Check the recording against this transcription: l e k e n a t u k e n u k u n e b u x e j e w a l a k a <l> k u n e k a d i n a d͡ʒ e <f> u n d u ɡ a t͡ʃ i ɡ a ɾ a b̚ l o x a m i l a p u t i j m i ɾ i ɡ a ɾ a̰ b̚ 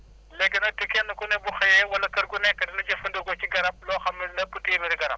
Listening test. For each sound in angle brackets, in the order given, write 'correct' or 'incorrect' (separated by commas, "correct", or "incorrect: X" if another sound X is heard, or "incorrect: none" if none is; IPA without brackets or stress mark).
incorrect: ɾ, correct